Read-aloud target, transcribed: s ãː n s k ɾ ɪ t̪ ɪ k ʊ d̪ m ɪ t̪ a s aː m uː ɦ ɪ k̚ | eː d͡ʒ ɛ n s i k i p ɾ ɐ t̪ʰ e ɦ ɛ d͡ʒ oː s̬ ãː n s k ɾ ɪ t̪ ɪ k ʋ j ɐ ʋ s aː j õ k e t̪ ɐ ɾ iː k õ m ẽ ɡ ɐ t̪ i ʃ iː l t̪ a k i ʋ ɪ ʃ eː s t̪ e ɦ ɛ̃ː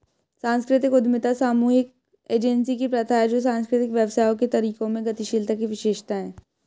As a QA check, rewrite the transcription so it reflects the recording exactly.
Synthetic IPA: s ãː n s k ɾ ɪ t̪ ɪ k ʊ d̪ m ɪ t̪ a s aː m uː ɦ ɪ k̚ | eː d͡ʒ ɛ n s i k i p ɾ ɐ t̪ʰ a ɦ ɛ d͡ʒ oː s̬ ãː n s k ɾ ɪ t̪ ɪ k ʋ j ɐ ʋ s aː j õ k e t̪ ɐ ɾ iː k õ m ẽ ɡ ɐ t̪ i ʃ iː l t̪ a k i ʋ ɪ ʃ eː ʃ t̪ a ɦ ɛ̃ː